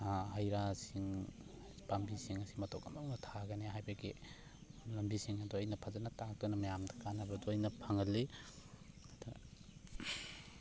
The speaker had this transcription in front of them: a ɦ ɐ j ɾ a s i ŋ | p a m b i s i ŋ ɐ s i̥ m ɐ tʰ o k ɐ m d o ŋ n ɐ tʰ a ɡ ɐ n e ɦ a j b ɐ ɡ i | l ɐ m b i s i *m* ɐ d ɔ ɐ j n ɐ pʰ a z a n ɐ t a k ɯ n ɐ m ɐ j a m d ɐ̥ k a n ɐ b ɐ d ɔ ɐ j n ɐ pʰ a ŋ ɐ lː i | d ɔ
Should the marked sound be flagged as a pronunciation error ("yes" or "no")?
yes